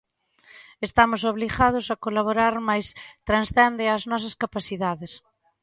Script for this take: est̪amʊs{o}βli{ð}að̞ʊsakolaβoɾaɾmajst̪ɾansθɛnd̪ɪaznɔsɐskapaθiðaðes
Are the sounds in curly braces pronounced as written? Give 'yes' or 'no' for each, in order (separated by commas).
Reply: yes, no